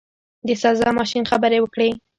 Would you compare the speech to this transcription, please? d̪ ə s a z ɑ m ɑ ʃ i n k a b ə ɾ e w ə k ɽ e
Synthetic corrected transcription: d̪ ə s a z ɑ m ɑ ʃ i n x a b ə ɾ e w ə k ɽ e